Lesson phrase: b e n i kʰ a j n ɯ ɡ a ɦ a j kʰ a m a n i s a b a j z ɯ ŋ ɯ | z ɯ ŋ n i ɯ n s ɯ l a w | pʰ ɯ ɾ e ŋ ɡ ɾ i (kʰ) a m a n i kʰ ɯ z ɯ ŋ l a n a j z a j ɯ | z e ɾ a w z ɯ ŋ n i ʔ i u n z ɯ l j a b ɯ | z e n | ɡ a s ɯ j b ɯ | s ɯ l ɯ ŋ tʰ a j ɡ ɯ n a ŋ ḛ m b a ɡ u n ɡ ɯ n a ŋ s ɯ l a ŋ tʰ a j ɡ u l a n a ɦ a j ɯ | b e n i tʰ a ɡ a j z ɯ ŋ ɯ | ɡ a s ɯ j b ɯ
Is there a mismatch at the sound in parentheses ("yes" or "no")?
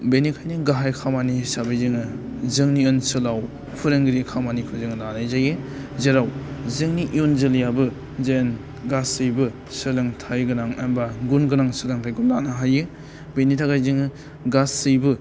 no